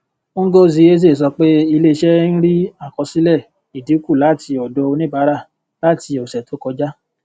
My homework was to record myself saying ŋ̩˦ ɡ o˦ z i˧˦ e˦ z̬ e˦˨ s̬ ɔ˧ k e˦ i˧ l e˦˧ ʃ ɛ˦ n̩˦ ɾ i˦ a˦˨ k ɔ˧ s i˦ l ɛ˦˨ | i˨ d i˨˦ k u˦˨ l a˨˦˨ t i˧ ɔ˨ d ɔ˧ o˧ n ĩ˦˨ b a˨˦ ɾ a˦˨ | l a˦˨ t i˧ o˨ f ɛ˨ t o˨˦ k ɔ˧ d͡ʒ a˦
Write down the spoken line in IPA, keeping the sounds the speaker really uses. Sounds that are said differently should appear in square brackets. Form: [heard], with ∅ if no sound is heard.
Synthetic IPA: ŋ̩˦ ɡ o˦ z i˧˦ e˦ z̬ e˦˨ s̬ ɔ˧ [k͡p] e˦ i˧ l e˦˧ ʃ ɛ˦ n̩˦ ɾ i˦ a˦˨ k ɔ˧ s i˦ l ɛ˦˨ | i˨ d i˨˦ k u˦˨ l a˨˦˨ t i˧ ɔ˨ d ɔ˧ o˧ n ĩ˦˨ b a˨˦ ɾ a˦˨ | l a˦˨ t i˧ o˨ [s] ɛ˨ t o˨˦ k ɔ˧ d͡ʒ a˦

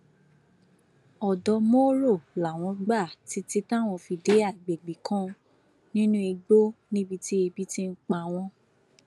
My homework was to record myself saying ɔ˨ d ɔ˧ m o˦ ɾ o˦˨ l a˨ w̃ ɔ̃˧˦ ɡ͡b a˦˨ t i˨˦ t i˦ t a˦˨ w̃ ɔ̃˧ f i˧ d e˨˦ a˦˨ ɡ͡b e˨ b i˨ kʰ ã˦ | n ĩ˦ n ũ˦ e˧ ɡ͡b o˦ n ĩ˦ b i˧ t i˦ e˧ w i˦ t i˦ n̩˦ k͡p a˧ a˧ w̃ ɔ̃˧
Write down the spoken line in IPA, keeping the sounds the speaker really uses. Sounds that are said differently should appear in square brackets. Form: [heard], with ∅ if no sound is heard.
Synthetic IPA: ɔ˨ d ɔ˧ m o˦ ɾ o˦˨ l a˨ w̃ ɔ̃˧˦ ɡ͡b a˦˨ t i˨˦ t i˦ t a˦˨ w̃ ɔ̃˧ f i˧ d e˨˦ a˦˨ ɡ͡b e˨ [ɡ͡b] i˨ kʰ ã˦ | n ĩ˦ n ũ˦ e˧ ɡ͡b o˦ n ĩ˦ b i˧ t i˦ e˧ [b] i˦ t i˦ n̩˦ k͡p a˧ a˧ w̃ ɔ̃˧

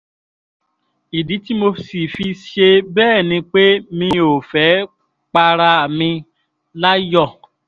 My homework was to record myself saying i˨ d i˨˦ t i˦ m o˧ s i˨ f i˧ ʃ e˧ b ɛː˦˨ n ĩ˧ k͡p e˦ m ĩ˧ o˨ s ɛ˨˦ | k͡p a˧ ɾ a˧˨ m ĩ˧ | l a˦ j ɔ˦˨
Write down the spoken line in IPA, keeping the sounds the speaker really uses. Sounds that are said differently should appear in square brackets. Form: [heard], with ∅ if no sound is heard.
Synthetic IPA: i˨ d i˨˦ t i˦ m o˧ s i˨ f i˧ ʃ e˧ b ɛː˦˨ n ĩ˧ k͡p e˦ m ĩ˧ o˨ [f] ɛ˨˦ | k͡p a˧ ɾ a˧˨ m ĩ˧ | l a˦ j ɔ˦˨

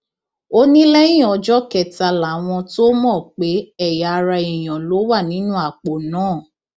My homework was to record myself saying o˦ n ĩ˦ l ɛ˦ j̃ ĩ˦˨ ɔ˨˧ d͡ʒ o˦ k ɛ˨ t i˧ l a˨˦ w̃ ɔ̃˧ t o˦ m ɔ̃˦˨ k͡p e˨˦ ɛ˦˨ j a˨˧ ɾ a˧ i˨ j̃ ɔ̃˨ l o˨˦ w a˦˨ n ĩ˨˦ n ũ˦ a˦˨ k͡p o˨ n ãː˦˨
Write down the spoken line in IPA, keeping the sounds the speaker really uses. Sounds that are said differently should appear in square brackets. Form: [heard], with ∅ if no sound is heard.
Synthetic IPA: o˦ n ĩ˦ l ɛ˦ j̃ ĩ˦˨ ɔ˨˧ d͡ʒ [ɔ˦] k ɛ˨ t [a˧] l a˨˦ w̃ ɔ̃˧ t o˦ m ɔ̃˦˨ k͡p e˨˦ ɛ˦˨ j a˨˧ ɾ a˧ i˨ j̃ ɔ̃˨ l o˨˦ w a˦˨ n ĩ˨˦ n ũ˦ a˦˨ k͡p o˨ n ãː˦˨

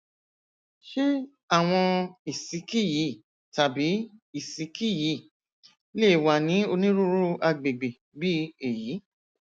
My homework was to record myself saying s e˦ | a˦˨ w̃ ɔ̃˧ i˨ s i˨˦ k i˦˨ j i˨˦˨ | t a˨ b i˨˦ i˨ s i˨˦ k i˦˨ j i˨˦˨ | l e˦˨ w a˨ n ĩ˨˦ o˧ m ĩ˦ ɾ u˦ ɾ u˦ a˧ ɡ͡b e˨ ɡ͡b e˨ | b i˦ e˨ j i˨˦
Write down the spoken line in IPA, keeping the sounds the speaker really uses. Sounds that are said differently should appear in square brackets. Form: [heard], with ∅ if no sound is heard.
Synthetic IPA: [ʃ] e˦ | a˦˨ w̃ ɔ̃˧ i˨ s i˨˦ k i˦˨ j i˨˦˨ | t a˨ b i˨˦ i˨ s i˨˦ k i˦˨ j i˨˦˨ | l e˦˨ w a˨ n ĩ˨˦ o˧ [n] ĩ˦ ɾ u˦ ɾ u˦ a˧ ɡ͡b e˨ ɡ͡b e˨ | b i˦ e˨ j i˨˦

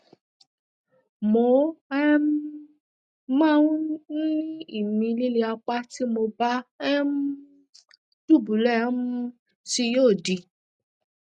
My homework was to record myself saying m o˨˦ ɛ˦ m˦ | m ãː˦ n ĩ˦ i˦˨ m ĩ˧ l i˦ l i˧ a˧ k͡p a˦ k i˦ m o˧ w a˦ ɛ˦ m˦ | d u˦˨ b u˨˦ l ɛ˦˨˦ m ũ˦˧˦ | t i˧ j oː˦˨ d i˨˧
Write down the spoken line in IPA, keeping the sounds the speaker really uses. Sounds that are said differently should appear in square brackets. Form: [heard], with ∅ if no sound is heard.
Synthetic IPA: m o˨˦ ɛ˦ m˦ | m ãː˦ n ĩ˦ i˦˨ m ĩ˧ l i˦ l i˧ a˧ k͡p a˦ [t] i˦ m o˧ [b] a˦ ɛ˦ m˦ | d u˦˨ b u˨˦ l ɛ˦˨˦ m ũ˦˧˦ | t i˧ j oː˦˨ d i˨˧

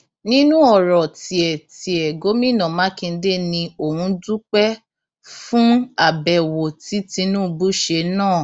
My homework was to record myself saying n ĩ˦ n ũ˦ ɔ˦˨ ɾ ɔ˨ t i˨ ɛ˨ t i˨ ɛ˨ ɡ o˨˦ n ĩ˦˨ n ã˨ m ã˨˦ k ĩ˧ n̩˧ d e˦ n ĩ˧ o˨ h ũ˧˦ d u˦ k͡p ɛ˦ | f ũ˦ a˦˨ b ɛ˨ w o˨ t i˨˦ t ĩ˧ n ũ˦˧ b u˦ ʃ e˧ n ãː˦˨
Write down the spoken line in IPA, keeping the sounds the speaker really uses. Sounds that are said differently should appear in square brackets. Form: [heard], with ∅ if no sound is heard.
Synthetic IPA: n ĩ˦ n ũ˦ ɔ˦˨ ɾ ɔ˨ t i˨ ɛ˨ t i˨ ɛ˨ ɡ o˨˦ [m] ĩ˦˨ n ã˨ m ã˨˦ k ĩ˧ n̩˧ d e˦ n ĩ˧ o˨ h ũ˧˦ d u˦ k͡p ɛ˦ | f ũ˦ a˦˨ b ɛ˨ w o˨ t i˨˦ t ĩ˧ n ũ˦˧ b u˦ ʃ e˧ n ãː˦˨

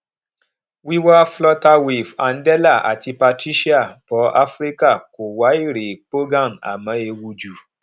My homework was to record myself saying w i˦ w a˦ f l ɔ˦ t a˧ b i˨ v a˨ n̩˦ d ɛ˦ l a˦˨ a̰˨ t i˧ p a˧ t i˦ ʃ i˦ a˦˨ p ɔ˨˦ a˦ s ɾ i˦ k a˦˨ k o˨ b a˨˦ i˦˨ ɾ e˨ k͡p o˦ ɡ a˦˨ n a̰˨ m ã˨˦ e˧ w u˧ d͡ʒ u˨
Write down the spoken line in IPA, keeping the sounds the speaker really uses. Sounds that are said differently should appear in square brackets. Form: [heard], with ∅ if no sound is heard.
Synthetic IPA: w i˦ w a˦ f l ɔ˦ t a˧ [w] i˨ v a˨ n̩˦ d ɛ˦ l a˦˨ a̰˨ t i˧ p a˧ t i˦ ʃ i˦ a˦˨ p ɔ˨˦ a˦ [f] ɾ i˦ k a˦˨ k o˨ [w] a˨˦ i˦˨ ɾ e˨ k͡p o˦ ɡ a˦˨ n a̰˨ m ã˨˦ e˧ w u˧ d͡ʒ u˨

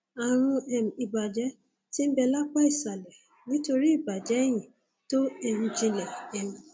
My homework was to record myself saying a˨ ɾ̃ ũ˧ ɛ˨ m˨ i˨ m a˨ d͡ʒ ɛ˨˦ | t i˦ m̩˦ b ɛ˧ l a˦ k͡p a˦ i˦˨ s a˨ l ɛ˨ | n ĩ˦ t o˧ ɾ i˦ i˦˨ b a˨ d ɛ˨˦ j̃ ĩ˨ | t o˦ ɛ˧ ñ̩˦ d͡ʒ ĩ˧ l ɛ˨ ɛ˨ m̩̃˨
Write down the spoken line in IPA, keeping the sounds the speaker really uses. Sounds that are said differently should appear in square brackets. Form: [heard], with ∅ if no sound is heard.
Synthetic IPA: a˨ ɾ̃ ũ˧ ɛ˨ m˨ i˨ [b] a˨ d͡ʒ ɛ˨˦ | t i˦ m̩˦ b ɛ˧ l a˦ k͡p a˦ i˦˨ s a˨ l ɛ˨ | n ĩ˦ t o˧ ɾ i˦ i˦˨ b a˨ [d͡ʒ] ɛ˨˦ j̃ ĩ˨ | t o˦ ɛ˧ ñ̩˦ d͡ʒ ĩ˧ l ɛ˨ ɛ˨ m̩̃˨

